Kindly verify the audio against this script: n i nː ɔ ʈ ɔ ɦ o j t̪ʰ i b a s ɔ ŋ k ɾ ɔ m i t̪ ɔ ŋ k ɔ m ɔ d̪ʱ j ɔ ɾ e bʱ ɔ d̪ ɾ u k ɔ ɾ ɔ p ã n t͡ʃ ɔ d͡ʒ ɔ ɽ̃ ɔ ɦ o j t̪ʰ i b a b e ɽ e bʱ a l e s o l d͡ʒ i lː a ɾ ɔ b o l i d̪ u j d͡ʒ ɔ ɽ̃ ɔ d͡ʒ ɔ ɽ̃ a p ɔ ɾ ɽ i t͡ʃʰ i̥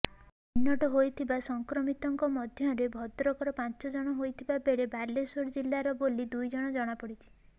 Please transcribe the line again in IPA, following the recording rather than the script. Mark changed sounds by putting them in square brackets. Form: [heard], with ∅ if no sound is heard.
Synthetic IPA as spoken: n i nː ɔ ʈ ɔ ɦ o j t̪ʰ i b a s ɔ ŋ k ɾ ɔ m i t̪ ɔ ŋ k ɔ m ɔ d̪ʱ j ɔ ɾ e bʱ ɔ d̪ ɾ [ɔ] k ɔ ɾ ɔ p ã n t͡ʃ ɔ d͡ʒ ɔ ɽ̃ ɔ ɦ o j t̪ʰ i b a b e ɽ e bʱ a l e s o [ɾ] d͡ʒ i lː a ɾ ɔ b o l i d̪ u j d͡ʒ ɔ ɽ̃ ɔ d͡ʒ ɔ ɽ̃ a p ɔ [∅] ɽ i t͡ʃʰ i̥